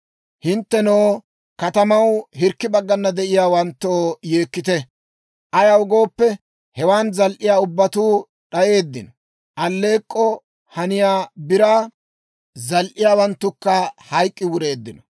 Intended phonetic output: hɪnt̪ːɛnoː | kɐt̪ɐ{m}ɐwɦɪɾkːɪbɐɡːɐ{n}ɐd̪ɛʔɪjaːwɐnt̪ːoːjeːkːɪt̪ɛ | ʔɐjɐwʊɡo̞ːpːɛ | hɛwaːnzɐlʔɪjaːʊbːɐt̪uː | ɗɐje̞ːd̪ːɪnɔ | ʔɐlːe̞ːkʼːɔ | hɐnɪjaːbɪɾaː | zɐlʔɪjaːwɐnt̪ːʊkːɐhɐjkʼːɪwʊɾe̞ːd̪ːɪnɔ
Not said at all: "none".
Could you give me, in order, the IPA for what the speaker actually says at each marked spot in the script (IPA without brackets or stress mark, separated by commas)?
m, nː